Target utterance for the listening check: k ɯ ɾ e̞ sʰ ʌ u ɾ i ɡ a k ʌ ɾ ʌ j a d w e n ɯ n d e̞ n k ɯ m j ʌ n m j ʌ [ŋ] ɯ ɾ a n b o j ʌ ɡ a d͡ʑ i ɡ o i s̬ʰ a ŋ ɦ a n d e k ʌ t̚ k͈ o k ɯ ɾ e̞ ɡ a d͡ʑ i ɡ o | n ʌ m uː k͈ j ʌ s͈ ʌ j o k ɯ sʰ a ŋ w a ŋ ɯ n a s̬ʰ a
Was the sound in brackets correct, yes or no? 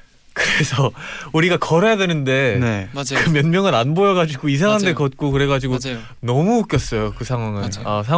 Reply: yes